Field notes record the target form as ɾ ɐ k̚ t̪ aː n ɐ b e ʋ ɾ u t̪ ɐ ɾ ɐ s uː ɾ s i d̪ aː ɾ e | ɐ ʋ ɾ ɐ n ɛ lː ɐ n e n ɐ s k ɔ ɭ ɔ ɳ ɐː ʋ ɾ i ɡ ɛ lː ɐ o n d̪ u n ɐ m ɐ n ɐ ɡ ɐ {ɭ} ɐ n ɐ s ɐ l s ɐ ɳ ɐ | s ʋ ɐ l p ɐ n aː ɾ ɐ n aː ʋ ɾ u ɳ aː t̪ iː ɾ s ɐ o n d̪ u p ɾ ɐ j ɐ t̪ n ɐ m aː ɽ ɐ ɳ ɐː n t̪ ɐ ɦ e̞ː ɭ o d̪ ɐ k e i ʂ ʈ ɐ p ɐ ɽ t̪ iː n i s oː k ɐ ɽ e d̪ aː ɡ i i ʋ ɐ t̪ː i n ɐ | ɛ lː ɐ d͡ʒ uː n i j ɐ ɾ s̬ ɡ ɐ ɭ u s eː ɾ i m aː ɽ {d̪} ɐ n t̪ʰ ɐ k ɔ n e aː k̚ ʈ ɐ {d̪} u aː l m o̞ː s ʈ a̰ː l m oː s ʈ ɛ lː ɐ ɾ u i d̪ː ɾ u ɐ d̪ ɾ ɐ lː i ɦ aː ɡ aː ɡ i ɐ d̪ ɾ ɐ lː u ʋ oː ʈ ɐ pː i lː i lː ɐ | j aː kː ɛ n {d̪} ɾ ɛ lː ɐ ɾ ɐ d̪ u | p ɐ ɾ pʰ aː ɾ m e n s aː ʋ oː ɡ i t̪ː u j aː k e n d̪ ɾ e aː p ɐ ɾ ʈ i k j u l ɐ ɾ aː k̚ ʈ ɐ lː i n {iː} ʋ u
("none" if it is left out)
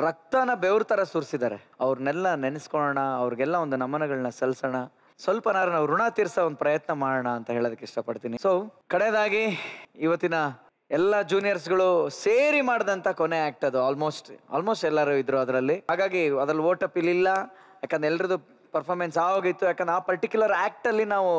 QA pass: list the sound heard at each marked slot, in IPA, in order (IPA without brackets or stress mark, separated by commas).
ɭ, d̪, d̪, d̪, aː